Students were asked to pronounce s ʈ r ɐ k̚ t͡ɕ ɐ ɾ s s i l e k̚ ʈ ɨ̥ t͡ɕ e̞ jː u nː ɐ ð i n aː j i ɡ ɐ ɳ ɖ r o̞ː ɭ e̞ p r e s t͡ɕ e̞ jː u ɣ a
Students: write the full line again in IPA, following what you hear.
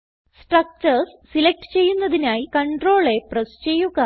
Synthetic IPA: s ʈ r ɐ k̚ t͡ɕ ɐ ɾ s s i l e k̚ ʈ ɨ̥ t͡ɕ e̞ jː u nː ɐ ð i n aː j i k ɐ ɳ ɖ r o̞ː ɭ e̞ p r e s t͡ɕ e̞ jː u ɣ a